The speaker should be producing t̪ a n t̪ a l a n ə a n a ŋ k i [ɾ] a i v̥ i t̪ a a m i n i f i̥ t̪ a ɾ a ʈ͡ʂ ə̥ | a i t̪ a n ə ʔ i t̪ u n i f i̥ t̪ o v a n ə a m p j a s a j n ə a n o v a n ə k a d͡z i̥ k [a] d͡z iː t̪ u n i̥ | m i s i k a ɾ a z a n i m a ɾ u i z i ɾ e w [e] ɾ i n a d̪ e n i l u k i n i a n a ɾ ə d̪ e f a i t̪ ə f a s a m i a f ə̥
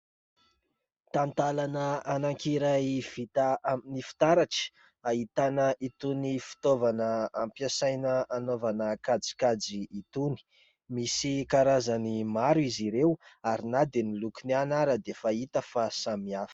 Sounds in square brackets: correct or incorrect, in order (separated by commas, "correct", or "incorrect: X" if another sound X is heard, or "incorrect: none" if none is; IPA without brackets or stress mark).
correct, correct, incorrect: a